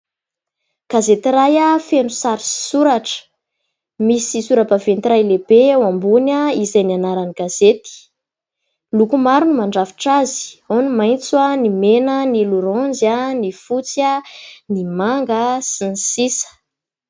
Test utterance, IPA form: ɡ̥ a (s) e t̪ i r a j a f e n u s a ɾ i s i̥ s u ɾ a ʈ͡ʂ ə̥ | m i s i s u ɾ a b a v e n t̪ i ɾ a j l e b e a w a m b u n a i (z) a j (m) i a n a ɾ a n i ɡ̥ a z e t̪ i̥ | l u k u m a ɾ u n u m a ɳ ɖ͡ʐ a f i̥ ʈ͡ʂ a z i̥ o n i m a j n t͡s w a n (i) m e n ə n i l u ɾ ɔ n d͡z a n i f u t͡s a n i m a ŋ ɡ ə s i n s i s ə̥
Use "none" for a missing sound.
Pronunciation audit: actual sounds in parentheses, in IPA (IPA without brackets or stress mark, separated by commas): z, z, n, i